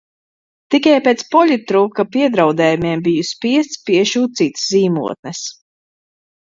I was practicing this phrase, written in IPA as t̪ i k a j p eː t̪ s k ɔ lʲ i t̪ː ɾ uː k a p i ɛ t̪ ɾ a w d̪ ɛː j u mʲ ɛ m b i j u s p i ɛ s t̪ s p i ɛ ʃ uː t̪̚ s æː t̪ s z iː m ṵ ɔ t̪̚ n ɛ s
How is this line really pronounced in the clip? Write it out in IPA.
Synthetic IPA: t̪ i k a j p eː t̪ s p ɔ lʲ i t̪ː ɾ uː k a p i ɛ d̪ ɾ a w d̪ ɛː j u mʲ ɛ m b i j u s p i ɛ s t̪ s p i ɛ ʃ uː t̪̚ s iː t̪ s z iː m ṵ ɔ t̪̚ n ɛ s